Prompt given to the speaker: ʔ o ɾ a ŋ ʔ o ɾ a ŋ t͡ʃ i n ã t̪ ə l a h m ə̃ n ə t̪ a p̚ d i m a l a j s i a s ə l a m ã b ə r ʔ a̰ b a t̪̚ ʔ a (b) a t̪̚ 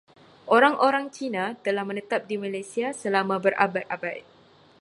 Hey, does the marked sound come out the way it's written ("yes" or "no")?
yes